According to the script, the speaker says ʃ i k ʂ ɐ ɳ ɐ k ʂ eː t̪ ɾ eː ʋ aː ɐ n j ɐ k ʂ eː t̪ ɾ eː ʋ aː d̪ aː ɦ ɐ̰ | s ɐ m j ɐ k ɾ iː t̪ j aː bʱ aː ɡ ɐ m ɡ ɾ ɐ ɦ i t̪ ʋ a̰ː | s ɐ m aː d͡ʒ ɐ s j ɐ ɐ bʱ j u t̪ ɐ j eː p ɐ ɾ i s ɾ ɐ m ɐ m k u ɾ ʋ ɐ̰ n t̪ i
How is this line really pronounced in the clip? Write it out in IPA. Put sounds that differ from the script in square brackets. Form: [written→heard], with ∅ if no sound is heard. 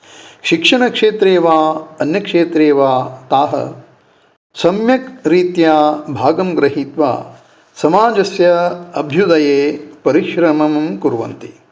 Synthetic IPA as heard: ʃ i k ʂ ɐ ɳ ɐ k ʂ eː t̪ ɾ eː ʋ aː ɐ n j ɐ k ʂ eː t̪ ɾ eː ʋ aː [d̪→t̪] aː ɦ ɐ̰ | s ɐ m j ɐ k ɾ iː t̪ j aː bʱ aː ɡ ɐ m ɡ ɾ ɐ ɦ i t̪ ʋ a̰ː | s ɐ m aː d͡ʒ ɐ s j ɐ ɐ bʱ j u [t̪→d̪] ɐ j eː p ɐ ɾ i [s→ʃ] ɾ ɐ m ɐ m k u ɾ ʋ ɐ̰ n t̪ i